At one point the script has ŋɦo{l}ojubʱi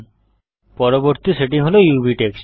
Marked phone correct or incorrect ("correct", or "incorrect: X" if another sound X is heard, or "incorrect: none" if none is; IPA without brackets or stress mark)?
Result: correct